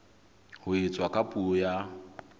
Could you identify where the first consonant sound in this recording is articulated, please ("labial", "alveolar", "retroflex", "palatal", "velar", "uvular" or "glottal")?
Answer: glottal